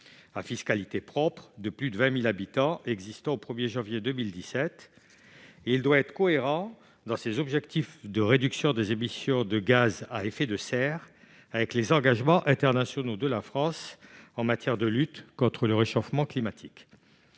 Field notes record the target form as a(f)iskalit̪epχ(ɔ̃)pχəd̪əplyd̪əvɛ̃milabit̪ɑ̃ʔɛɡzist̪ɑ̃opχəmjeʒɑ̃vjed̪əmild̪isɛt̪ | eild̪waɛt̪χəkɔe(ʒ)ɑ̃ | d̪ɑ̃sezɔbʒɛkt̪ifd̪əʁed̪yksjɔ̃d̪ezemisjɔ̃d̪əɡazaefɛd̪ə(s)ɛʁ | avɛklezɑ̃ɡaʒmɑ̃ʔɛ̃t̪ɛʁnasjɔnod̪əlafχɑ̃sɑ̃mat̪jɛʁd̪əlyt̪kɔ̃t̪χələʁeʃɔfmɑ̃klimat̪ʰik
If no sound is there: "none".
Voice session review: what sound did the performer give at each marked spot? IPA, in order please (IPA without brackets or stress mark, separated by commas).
f, ɔ, ʁ, s